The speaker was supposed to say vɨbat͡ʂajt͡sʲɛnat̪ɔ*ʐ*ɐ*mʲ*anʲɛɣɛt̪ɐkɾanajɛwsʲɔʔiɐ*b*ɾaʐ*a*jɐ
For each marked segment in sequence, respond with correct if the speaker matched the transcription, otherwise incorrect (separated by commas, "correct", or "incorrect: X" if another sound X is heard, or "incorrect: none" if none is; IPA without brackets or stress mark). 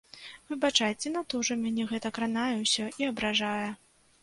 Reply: correct, correct, correct, correct